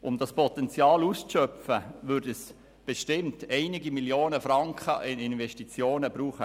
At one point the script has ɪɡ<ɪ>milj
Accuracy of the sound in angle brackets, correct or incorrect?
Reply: incorrect